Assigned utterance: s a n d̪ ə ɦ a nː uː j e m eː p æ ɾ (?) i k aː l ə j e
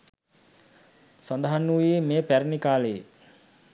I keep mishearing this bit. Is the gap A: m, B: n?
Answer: B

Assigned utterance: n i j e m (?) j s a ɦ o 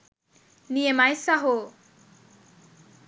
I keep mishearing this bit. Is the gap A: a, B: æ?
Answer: A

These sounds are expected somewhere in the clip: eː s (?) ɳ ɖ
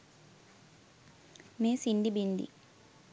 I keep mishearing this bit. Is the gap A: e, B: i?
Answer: B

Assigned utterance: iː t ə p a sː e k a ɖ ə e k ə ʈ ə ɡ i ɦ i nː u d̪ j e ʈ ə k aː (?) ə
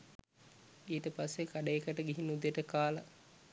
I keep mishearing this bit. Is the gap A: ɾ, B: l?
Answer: B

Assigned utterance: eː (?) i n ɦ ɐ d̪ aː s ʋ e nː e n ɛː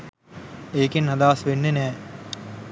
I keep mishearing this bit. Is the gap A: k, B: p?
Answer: A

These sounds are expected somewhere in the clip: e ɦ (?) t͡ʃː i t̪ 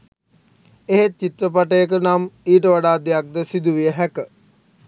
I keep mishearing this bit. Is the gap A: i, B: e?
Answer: B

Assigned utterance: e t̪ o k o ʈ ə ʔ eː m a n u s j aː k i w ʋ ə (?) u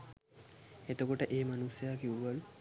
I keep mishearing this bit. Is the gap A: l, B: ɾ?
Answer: A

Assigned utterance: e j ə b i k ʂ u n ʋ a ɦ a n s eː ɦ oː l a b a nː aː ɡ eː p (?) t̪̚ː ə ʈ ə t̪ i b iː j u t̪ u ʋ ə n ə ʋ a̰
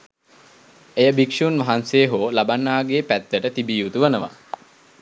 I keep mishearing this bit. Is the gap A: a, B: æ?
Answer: B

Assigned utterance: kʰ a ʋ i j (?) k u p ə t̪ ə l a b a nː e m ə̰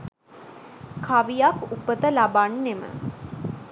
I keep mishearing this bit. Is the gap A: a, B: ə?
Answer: A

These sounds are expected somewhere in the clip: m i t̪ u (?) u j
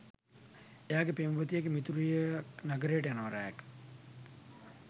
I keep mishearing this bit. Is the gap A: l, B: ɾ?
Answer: B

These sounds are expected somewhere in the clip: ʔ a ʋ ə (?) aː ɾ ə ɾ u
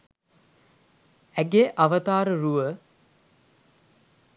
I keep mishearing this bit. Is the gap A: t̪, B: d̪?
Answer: A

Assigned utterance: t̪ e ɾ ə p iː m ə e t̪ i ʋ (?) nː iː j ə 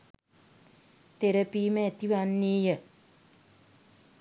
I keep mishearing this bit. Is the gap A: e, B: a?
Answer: B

